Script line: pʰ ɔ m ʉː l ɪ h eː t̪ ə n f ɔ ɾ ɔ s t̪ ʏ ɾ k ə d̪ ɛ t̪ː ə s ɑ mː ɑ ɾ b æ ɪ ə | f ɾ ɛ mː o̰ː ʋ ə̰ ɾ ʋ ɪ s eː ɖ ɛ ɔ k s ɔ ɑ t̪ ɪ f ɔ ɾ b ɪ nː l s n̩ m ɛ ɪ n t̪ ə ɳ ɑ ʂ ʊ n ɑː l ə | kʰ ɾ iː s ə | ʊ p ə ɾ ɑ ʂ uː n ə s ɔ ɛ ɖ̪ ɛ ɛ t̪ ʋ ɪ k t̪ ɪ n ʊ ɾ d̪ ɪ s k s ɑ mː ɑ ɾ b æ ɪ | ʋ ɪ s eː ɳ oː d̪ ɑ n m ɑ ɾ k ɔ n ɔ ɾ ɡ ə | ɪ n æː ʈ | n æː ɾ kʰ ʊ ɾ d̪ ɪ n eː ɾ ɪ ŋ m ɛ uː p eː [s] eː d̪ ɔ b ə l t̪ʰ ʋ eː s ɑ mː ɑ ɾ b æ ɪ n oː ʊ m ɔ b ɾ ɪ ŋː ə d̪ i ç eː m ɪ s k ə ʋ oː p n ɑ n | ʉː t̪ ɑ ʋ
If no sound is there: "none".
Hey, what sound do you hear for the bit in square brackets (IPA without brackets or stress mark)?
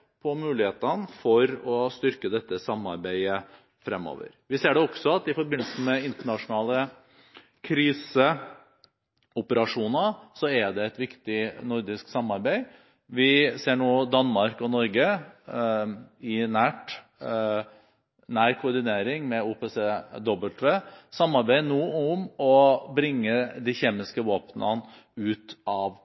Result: s